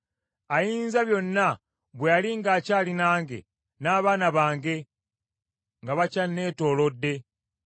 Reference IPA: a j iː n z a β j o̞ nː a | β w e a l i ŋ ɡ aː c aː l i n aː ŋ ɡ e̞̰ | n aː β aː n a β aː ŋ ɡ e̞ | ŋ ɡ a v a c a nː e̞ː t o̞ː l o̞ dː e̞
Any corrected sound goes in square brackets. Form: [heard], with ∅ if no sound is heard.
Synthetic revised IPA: a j iː n z a β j o̞ nː a | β w e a l i ŋ ɡ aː c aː l i n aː ŋ ɡ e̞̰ | n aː β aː n a β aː ŋ ɡ e̞ | ŋ ɡ a [β] a c a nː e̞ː t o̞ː l o̞ dː e̞